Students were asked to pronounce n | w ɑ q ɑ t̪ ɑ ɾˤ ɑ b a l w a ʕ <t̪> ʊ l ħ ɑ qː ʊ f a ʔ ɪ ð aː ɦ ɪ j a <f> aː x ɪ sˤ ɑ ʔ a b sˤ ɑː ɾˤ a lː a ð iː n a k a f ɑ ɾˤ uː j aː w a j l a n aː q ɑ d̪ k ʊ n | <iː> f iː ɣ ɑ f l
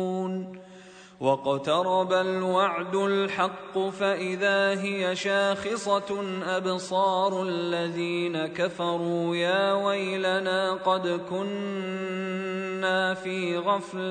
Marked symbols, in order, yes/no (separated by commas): no, no, no